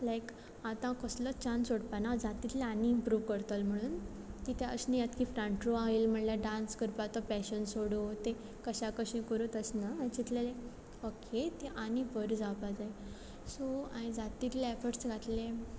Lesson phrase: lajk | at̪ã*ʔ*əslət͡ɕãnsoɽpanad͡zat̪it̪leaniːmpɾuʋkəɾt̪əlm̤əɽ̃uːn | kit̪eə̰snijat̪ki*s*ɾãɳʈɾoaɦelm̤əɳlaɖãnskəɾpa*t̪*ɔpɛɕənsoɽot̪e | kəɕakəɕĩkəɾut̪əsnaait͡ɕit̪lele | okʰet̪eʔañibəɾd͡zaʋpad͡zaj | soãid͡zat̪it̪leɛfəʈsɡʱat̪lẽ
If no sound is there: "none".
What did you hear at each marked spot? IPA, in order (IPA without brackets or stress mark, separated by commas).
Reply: k, f, t̪